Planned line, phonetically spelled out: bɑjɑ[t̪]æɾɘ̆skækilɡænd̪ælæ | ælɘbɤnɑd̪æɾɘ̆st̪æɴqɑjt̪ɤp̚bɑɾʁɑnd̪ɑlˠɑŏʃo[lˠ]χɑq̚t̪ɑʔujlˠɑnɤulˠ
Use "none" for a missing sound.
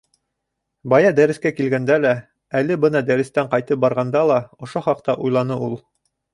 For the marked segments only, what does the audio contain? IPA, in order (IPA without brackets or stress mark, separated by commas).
d̪, none